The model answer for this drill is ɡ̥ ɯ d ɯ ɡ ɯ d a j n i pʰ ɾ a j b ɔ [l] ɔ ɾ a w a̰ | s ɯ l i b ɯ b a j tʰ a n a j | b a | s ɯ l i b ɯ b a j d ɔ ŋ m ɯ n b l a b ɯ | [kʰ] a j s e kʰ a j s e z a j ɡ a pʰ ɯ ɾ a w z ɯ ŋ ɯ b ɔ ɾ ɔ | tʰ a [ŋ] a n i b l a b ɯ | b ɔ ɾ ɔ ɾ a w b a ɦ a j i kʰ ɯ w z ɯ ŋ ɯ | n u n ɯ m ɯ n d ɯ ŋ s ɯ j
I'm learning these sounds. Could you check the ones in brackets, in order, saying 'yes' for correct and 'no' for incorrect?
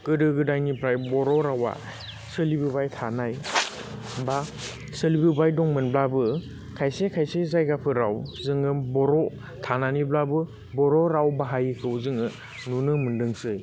no, yes, no

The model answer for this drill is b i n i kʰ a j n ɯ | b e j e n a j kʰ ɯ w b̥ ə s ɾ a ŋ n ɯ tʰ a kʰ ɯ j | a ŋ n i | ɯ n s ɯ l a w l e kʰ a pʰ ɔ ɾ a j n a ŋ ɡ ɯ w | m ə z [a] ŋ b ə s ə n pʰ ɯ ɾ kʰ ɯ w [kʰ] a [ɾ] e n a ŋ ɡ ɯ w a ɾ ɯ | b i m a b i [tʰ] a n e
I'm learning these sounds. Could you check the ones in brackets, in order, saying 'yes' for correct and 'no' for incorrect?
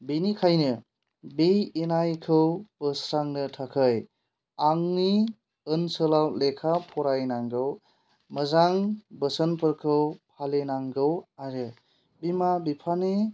yes, no, no, no

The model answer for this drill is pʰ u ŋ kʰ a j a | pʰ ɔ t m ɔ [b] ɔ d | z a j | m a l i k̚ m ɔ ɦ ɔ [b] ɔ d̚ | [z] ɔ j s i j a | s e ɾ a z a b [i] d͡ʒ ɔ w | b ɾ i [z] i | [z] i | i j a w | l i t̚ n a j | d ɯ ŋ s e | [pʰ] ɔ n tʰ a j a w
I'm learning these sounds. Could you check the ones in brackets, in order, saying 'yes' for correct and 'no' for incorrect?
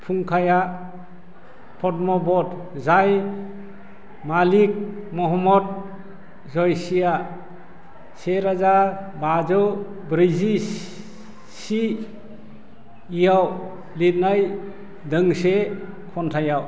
yes, no, yes, no, yes, no, no

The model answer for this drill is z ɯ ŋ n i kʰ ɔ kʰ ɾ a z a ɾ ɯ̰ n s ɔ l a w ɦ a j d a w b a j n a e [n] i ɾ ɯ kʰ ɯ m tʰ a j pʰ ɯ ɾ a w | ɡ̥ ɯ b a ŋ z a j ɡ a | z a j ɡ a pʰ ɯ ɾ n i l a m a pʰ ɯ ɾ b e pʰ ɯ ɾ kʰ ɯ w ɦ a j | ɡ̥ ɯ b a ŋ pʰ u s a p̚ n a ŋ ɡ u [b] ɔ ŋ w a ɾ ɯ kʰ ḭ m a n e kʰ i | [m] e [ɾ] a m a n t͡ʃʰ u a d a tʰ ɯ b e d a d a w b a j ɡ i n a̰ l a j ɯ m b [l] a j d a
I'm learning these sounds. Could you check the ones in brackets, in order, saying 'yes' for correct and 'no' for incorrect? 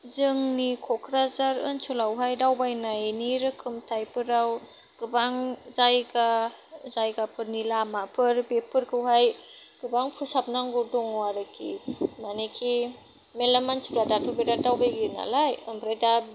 yes, no, yes, no, no

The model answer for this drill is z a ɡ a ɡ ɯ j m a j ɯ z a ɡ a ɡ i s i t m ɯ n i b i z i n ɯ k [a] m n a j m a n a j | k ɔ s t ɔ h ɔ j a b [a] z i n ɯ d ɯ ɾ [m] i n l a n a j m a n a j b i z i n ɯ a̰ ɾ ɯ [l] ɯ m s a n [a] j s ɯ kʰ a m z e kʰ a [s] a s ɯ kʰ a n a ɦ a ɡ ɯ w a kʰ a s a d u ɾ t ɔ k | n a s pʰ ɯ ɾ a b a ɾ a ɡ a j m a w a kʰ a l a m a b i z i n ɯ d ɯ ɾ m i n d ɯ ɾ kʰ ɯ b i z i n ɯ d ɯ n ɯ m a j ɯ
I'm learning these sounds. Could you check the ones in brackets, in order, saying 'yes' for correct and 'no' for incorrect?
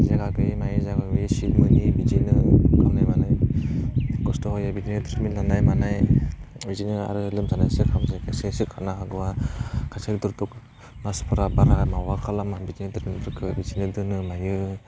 yes, no, yes, yes, yes, yes

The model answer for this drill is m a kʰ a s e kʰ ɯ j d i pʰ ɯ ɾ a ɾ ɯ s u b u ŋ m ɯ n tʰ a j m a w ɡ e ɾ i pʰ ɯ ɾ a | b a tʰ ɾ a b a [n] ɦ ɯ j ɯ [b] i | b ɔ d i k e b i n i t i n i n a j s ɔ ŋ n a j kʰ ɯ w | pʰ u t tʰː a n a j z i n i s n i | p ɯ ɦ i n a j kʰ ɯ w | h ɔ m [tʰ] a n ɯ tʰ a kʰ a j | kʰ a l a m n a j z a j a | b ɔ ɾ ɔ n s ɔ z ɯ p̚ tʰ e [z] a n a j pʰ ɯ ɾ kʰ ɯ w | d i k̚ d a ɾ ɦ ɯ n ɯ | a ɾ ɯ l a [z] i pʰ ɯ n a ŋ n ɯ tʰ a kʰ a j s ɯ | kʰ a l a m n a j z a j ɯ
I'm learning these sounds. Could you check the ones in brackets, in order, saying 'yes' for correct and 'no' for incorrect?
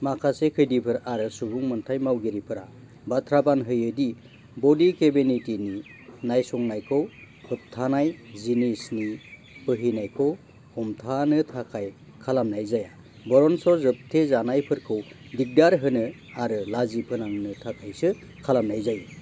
yes, no, yes, yes, yes

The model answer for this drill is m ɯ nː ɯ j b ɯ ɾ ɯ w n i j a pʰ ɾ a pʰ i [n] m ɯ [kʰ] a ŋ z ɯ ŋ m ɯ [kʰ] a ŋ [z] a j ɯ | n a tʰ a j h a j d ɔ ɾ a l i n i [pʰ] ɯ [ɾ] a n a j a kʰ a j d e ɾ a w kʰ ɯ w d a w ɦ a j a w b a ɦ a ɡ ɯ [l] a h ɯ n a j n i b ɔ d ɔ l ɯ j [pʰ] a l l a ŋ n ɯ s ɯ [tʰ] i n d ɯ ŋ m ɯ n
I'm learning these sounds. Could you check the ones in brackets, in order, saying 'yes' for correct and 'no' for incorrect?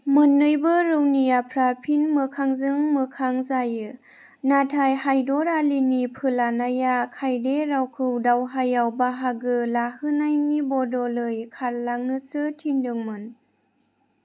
yes, yes, yes, yes, yes, no, yes, no, yes

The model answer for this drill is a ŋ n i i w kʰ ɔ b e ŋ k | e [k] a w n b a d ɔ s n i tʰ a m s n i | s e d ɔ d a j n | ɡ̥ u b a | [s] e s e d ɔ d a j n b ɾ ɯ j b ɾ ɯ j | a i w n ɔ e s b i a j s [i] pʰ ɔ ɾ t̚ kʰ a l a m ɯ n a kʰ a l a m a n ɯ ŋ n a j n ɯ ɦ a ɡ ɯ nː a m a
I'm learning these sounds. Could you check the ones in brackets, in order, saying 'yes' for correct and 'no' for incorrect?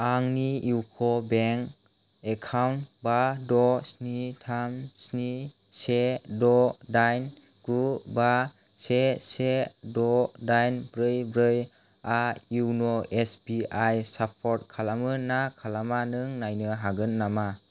no, yes, no

